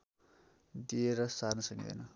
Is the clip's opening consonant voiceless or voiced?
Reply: voiced